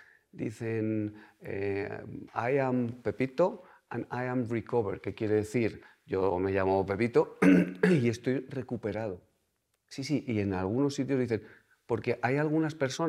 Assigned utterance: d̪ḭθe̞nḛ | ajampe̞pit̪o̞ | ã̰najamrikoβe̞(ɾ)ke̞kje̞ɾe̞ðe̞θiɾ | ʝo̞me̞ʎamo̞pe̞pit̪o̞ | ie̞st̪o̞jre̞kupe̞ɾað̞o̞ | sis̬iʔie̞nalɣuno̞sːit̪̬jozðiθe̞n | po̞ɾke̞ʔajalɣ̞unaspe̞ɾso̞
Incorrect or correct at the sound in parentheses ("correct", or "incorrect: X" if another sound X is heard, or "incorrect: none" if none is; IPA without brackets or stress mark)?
correct